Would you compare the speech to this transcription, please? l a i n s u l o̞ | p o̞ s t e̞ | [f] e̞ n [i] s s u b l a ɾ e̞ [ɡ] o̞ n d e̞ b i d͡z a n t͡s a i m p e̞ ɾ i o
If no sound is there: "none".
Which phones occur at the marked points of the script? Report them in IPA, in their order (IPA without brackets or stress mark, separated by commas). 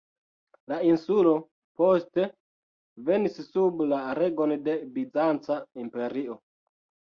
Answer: v, i, ɡ